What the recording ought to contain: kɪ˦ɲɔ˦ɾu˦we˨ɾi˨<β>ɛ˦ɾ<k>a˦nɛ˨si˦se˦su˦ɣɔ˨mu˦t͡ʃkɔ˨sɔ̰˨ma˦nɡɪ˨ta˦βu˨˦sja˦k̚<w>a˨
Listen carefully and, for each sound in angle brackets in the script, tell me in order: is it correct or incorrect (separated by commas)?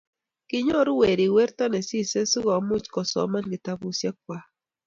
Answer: incorrect, incorrect, correct